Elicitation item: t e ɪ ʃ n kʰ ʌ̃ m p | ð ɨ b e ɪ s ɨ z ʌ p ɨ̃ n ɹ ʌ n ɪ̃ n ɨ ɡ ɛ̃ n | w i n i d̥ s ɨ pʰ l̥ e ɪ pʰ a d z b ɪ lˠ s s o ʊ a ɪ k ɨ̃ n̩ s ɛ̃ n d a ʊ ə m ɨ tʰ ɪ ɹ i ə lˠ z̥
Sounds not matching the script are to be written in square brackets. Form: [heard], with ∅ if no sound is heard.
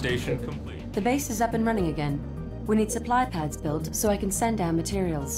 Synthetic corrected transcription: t e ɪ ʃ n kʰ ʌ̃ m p | ð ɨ b e ɪ s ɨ z ʌ p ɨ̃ n ɹ ʌ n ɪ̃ [ŋ] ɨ ɡ ɛ̃ n | w i n i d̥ s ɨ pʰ l̥ [a] ɪ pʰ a d z b ɪ lˠ [t] s o ʊ a ɪ k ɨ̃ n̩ s ɛ̃ n d a ʊ ə m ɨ tʰ ɪ ɹ i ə lˠ z̥